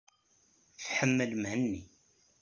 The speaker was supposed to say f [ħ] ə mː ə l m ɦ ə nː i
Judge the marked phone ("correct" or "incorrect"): correct